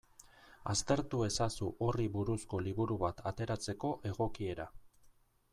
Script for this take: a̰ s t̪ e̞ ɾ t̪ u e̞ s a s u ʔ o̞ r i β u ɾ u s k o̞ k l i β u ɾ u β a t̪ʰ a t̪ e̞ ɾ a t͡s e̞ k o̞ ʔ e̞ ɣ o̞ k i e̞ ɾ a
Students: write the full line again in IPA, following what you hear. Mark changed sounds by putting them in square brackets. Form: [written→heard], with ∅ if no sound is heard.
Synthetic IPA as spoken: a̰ s t̪ e̞ ɾ t̪ u e̞ s a s u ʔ o̞ r i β u ɾ u s k o̞ [k→∅] l i β u ɾ u β a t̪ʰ a t̪ e̞ ɾ a t͡s e̞ k o̞ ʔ e̞ ɣ o̞ k i e̞ ɾ a